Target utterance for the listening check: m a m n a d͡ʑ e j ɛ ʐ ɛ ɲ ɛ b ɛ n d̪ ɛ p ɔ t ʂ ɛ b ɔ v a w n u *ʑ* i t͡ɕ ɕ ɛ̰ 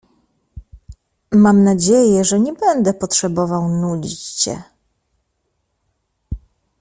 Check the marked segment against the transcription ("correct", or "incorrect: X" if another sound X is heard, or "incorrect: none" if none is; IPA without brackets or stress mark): incorrect: d͡ʑ